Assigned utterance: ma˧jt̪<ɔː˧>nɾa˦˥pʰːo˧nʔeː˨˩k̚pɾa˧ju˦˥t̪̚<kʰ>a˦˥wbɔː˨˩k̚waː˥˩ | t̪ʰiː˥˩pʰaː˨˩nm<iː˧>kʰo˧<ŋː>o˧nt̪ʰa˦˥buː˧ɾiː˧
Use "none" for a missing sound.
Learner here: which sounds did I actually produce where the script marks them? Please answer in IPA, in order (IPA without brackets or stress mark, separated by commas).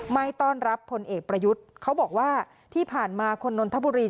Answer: ɔː˥˩, kʰ, aː˧, nː